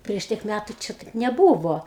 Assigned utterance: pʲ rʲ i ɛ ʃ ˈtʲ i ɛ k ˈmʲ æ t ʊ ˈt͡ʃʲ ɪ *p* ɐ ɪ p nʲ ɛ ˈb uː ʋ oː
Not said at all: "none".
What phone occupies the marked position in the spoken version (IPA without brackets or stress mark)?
t